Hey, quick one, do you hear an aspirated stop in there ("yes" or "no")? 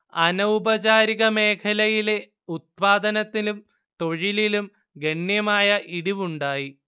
yes